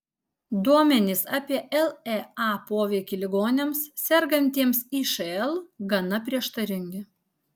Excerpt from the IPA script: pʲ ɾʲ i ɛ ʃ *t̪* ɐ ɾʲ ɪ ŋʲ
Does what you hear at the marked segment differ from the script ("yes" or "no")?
no